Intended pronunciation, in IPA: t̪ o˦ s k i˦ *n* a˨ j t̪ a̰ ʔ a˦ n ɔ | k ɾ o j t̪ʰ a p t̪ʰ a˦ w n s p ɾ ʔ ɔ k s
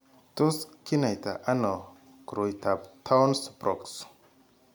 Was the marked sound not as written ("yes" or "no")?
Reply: no